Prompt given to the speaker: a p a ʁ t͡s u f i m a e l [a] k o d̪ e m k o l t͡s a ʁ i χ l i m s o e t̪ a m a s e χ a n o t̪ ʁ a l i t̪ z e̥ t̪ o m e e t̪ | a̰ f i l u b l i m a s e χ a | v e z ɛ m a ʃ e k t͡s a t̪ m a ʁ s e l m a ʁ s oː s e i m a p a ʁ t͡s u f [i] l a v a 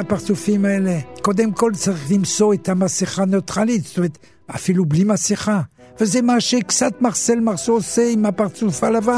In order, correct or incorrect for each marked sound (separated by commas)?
incorrect, incorrect